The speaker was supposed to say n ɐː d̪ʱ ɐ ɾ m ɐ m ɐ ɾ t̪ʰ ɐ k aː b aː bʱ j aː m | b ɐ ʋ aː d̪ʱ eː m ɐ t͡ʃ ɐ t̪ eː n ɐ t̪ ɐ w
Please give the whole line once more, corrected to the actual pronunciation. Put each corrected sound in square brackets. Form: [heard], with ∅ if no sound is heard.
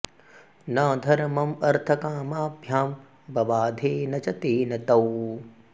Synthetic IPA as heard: n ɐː d̪ʱ ɐ ɾ m ɐ m ɐ ɾ t̪ʰ ɐ k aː [m] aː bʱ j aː m | b ɐ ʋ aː d̪ʱ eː [n] ɐ t͡ʃ ɐ t̪ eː n ɐ t̪ ɐ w